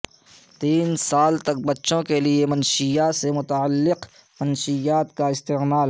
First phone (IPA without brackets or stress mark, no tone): t̪